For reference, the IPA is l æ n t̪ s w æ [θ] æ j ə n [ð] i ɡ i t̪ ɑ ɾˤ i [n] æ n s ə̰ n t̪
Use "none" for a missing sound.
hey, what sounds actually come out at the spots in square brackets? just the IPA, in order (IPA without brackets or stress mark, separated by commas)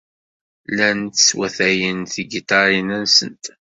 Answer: θ, θ, n